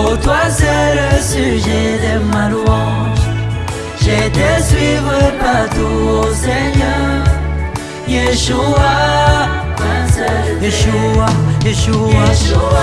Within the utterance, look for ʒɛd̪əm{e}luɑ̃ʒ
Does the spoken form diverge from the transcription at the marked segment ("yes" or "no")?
yes